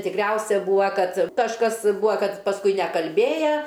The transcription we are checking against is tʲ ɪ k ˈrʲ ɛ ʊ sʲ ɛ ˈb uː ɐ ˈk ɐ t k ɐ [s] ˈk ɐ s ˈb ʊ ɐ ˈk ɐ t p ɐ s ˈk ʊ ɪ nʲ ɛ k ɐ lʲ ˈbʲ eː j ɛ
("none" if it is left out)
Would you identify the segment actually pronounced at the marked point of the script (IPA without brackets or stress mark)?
ʃ